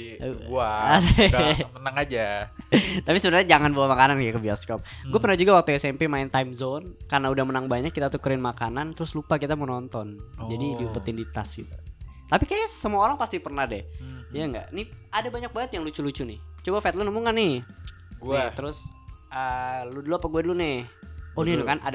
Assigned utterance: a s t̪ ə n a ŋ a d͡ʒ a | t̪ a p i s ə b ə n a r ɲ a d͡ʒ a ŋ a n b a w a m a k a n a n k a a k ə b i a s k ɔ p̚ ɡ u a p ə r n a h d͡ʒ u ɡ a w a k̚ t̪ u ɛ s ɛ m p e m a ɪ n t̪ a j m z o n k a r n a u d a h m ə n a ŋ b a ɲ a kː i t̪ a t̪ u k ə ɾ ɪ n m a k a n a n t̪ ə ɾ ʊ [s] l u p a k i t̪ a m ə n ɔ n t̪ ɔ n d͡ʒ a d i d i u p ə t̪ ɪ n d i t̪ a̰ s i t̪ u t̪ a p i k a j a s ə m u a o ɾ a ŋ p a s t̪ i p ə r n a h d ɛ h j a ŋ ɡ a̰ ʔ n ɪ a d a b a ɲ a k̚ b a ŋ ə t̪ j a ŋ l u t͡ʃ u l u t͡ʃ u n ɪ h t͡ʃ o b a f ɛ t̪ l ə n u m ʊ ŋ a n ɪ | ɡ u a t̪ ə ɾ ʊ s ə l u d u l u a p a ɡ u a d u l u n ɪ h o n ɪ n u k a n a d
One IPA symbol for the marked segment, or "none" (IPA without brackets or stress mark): s